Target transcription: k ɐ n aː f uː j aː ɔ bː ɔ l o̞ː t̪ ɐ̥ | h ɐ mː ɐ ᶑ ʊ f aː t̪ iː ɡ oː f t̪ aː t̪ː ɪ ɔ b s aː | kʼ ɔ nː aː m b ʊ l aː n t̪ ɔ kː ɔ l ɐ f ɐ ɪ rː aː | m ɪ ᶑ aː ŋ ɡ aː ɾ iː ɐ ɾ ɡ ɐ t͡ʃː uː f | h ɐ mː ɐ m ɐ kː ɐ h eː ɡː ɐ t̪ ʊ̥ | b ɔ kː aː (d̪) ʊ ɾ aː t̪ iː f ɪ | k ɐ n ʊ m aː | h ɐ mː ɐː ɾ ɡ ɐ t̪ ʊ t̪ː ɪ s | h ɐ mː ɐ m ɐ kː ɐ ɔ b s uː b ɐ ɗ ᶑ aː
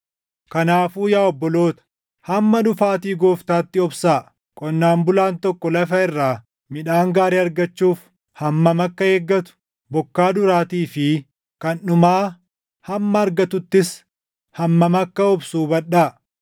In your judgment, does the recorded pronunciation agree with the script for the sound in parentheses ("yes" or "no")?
yes